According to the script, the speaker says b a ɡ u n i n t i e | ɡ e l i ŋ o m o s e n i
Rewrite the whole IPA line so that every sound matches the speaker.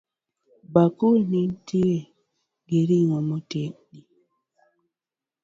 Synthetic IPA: b a k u n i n t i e | ɡ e ɾ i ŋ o m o t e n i